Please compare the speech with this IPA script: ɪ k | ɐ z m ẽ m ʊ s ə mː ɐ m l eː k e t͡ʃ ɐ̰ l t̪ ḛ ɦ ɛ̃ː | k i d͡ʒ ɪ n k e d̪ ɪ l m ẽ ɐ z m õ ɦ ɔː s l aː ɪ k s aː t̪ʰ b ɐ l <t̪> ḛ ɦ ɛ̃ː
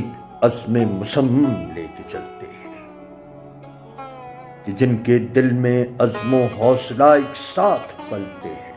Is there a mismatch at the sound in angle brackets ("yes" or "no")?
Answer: no